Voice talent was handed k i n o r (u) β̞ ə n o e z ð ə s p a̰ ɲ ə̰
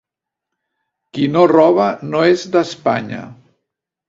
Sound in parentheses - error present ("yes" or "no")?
yes